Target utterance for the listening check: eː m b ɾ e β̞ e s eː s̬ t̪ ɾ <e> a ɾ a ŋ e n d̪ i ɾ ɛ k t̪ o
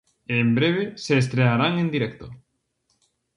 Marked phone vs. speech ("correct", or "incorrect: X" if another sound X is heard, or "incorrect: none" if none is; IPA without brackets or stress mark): correct